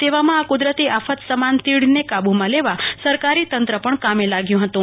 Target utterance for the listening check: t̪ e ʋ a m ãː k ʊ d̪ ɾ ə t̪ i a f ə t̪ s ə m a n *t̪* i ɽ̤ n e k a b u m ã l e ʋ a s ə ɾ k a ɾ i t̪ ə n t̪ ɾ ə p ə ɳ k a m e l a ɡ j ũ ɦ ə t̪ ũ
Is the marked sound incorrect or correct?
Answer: correct